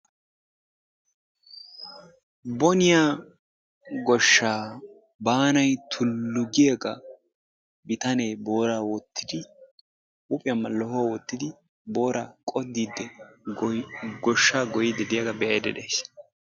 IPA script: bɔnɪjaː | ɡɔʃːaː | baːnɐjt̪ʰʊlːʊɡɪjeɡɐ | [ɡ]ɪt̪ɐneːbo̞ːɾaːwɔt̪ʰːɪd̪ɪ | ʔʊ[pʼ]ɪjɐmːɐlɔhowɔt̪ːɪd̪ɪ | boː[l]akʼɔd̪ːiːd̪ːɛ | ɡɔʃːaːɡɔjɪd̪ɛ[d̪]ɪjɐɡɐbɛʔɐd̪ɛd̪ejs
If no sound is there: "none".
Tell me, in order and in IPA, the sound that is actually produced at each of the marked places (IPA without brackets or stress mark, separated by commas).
b, pʼ, ɾ, d̪